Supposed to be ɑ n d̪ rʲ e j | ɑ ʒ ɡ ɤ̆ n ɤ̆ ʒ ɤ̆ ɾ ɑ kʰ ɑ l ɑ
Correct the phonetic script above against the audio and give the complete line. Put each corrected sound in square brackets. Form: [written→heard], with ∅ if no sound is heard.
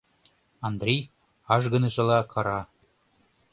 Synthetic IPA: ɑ n d̪ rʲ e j | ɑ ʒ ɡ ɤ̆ n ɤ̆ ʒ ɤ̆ [ɾ→l] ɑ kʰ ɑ [l→ɾ] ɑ